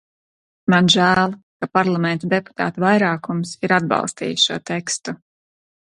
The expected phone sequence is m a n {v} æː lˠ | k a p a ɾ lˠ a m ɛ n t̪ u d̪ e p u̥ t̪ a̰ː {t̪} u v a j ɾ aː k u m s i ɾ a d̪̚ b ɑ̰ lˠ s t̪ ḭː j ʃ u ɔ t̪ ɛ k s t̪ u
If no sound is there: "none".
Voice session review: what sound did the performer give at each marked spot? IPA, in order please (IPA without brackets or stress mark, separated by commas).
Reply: ʒ, t̪